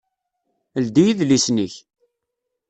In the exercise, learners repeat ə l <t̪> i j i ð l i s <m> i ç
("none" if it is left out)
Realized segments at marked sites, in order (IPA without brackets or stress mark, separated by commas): d̪, n